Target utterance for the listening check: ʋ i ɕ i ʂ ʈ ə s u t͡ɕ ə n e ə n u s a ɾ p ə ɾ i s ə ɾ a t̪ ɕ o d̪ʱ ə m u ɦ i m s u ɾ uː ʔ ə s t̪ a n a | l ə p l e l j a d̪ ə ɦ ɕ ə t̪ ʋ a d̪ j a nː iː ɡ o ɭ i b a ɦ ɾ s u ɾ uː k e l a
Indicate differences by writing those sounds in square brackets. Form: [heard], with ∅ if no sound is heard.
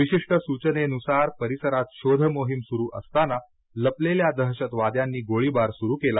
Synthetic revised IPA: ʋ i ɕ i ʂ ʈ ə s u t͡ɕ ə n e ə n u s a ɾ p ə ɾ i s ə ɾ a t̪ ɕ o d̪ʱ ə m [o] ɦ i m s u ɾ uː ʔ ə s t̪ a n a | l ə p l e l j a d̪ ə ɦ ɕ ə t̪ ʋ a d̪ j a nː iː ɡ o ɭ i b a [∅] ɾ s u ɾ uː k e l a

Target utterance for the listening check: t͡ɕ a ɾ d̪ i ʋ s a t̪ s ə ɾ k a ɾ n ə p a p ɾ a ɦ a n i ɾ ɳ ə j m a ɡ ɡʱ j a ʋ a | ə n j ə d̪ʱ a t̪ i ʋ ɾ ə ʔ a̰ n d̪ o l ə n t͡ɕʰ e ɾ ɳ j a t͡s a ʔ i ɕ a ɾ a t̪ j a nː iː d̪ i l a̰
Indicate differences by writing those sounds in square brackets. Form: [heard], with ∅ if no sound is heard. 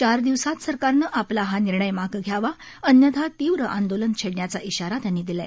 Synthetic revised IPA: t͡ɕ a ɾ d̪ i ʋ s a t̪ s ə ɾ k a ɾ n ə [ʔ] a p [l] a ɦ a n i ɾ ɳ ə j m a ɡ ɡʱ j a ʋ a | ə n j ə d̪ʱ a t̪ i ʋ ɾ ə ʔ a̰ n d̪ o l ə n t͡ɕʰ e [ɽ] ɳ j a t͡s a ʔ i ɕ a ɾ a t̪ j a nː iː d̪ i l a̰

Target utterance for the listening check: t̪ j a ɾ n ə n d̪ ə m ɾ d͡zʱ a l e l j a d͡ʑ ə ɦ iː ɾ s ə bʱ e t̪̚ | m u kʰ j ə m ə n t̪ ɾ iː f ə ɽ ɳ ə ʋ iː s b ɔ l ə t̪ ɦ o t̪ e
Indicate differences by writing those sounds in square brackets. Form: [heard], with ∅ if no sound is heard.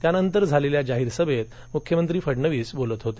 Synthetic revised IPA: t̪ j a [∅] n ə n [t̪] ə [∅] ɾ d͡zʱ a l e l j a d͡ʑ [a] ɦ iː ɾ s ə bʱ e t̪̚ | m u kʰ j ə m ə n t̪ ɾ iː f ə ɽ ɳ ə ʋ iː s b [o] l ə t̪ ɦ o t̪ e

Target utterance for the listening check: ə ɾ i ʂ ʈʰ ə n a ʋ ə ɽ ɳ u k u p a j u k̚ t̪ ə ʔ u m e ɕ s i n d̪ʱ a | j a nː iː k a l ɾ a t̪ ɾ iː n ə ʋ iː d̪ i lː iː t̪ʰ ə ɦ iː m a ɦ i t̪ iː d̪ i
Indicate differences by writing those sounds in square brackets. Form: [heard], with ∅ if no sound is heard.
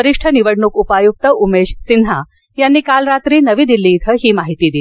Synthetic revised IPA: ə ɾ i ʂ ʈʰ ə n [i] ʋ ə ɽ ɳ u k u p a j u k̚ t̪ ə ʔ u m e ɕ s i n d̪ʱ a | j a nː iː k a l ɾ a t̪ ɾ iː n ə ʋ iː d̪ i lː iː t̪ʰ ə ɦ iː m a ɦ i t̪ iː d̪ i

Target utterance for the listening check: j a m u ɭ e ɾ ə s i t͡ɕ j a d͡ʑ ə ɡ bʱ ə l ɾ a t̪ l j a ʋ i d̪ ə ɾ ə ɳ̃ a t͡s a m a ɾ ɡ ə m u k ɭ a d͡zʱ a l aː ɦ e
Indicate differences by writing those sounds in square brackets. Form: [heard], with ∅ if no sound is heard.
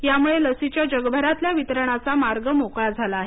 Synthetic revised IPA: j a m u ɭ e [l] ə s i t͡ɕ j a d͡ʑ ə ɡ bʱ ə [∅] ɾ a t̪ l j a ʋ i [t̪] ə ɾ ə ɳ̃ a t͡s a m a ɾ ɡ ə m [o] k ɭ a d͡zʱ a l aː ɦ e

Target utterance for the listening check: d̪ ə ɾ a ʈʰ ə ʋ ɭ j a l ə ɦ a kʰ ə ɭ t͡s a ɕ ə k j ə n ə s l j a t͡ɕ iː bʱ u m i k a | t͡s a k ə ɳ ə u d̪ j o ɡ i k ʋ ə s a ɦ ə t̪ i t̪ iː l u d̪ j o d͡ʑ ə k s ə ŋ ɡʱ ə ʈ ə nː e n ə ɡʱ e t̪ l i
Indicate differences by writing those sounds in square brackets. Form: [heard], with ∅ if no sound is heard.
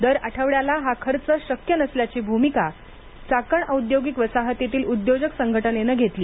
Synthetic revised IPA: d̪ ə ɾ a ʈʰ ə ʋ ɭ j a l [a] ɦ a kʰ ə [ɾ] t͡s [ə] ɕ ə k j ə n ə s l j a t͡ɕ iː bʱ u m i k a | t͡s a k ə ɳ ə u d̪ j o ɡ i k ʋ ə s a ɦ ə t̪ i t̪ iː l u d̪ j o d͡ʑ ə k s ə ŋ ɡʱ ə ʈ ə [n] e n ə ɡʱ e t̪ l [iː]

